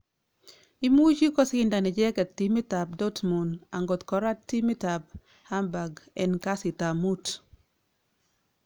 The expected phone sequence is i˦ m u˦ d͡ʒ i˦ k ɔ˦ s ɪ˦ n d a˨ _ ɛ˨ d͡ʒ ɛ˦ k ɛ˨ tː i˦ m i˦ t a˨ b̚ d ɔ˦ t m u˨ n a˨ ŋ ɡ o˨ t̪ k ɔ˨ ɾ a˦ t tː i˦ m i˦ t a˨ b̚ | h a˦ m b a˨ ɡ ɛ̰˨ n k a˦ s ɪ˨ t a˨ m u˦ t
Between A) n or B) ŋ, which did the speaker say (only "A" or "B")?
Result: A